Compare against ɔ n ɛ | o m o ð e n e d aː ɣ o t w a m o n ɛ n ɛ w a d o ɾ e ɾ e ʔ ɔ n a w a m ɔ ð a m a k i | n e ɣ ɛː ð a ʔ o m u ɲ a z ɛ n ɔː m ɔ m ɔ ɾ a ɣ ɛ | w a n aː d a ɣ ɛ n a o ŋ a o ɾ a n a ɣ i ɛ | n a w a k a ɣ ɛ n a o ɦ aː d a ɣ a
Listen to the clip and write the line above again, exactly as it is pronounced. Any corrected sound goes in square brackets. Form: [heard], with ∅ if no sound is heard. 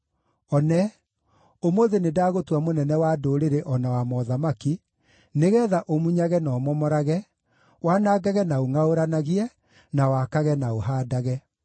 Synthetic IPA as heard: ɔ n ɛ | o m o ð e n e d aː ɣ o t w a m o n ɛ n ɛ w a d o ɾ e ɾ e ʔ ɔ n a w a m ɔ ð a m a k i | n e ɣ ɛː ð a ʔ o m u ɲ a [ɣ] ɛ n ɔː m ɔ m ɔ ɾ a ɣ ɛ | w a n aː [ɡ] a ɣ ɛ n a o ŋ a o ɾ a n a ɣ i ɛ | n a w a k a ɣ ɛ n a o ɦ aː d a ɣ [ɛ]